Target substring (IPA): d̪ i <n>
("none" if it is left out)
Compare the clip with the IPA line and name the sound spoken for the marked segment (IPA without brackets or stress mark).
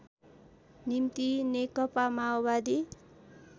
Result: none